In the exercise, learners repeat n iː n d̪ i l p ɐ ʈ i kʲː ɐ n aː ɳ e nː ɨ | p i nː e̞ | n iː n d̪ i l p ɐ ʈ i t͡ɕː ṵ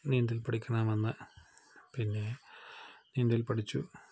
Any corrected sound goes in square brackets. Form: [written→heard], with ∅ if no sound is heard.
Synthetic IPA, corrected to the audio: n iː n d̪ i l p ɐ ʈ i kʲː ɐ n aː [ɳ→m] e nː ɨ | p i nː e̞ | n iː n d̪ i l p ɐ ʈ i t͡ɕː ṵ